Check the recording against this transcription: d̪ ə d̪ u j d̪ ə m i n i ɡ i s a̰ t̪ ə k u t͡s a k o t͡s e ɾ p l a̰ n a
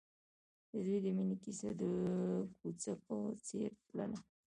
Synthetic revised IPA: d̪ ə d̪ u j d̪ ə m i n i k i s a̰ d̪ ə k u t͡s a k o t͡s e ɾ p l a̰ n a